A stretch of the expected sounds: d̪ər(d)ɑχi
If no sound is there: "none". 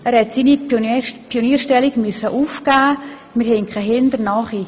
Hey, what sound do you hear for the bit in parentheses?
n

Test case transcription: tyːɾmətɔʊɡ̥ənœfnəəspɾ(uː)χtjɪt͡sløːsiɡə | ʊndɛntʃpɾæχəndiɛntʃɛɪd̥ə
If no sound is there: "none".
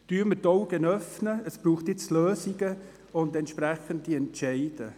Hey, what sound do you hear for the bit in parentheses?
uː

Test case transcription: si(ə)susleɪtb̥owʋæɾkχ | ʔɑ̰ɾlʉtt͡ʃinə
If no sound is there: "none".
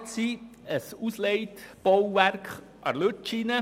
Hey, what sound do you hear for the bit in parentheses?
ə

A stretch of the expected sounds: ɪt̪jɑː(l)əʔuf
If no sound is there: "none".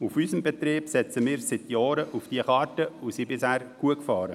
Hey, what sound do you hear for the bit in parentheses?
ɾ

